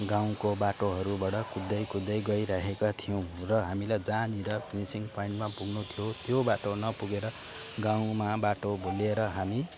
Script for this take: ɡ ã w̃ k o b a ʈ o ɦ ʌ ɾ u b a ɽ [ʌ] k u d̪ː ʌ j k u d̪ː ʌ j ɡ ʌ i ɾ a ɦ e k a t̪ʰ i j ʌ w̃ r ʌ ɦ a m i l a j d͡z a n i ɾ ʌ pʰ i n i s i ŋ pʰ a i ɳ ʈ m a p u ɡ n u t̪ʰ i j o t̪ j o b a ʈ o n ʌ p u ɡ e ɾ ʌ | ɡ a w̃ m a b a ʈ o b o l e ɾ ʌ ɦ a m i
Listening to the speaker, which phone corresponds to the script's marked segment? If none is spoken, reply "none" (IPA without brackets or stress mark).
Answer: ʌ